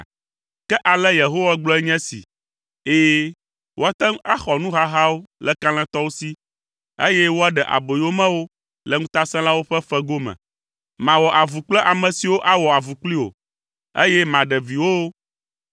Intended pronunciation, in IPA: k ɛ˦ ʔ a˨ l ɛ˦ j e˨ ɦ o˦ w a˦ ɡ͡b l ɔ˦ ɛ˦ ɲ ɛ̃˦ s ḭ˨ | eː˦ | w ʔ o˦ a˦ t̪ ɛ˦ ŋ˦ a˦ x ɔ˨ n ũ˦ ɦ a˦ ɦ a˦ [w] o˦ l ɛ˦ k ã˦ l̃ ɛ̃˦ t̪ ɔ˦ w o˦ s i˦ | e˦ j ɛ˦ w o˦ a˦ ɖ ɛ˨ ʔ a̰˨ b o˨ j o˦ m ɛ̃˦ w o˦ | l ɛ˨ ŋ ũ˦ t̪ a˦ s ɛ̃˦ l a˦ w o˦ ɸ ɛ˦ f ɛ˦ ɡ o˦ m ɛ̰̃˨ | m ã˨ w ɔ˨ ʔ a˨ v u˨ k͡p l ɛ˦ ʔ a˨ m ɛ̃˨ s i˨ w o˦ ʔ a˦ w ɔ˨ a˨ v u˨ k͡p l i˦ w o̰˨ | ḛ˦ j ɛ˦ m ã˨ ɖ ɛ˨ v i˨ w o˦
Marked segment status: correct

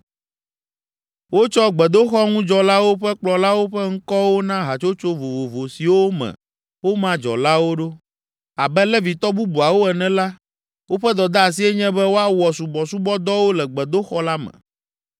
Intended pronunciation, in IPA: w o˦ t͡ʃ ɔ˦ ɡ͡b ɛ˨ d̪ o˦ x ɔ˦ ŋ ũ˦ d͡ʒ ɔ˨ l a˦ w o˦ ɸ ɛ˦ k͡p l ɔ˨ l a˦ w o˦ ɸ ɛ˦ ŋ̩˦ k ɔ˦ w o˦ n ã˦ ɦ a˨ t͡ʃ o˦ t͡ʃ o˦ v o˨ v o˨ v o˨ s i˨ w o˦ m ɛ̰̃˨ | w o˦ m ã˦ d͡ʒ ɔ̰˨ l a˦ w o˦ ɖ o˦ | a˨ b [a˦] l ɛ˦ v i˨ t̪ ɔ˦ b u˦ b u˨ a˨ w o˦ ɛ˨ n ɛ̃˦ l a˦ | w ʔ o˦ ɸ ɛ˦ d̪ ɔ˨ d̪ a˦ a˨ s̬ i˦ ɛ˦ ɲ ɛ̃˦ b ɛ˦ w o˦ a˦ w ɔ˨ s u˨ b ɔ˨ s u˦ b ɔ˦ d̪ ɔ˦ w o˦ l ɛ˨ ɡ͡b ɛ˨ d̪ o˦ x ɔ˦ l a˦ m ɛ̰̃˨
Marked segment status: incorrect: ɛ˦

